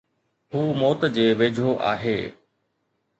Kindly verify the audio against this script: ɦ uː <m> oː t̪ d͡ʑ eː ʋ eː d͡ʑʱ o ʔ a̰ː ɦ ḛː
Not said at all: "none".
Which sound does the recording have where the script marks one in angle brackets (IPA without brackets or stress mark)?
m